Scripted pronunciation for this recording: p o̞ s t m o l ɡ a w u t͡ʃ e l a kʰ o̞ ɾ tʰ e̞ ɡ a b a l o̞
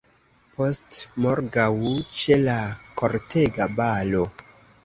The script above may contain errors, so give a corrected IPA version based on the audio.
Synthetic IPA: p o̞ s t m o ɾ ɡ a w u t͡ʃ e l a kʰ o̞ ɾ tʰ e̞ ɡ a b a l o̞